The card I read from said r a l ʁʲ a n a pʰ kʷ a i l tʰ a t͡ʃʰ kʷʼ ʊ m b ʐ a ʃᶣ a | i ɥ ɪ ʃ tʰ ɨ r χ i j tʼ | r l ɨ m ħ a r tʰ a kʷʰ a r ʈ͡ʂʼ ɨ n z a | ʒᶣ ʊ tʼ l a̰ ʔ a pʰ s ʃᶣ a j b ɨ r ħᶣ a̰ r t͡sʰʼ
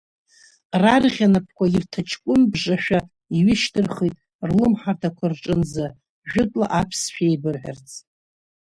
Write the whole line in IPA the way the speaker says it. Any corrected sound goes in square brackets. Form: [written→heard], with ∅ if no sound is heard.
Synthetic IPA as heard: r a [l→r] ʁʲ a n a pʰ kʷ a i [l→r] tʰ a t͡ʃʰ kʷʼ ʊ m b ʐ a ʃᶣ a | i ɥ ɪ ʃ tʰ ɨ r χ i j tʼ | r l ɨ m ħ a r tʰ a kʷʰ a r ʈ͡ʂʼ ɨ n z a | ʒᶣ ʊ tʼ l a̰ ʔ a pʰ s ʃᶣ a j b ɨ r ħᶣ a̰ r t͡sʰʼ